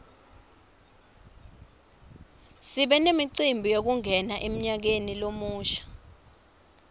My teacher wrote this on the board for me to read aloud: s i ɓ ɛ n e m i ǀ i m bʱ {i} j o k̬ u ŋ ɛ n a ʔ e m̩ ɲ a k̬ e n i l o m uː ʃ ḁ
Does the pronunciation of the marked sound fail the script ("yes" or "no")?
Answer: no